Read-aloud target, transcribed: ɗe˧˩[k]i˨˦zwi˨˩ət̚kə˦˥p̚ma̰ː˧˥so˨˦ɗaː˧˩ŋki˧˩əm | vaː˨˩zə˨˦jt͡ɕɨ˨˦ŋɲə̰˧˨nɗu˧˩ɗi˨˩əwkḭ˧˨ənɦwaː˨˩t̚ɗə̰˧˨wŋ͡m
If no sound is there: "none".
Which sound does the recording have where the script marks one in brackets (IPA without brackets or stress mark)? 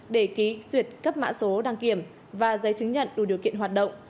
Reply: k